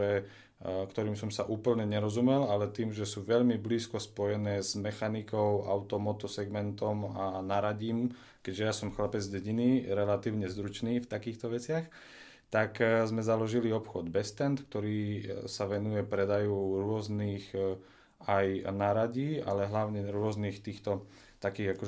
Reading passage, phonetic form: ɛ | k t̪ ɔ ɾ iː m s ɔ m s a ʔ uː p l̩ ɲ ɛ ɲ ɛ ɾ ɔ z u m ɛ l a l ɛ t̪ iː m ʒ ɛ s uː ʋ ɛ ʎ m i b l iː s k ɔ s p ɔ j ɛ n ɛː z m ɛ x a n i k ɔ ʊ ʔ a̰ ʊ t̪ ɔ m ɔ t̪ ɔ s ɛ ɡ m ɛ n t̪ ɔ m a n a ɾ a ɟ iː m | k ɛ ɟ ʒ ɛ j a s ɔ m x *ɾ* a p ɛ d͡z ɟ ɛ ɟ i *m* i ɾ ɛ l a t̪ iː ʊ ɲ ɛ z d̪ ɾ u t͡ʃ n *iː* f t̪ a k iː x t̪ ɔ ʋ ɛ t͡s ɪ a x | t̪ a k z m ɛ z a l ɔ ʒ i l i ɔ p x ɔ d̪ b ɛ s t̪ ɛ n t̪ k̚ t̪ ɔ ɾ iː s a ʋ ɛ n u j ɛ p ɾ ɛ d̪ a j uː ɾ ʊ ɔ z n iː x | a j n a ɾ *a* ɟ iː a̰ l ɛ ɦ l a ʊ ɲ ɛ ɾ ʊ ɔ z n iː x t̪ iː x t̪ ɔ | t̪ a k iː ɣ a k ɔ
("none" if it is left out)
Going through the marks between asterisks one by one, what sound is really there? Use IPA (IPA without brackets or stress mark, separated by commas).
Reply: l, n, iː, a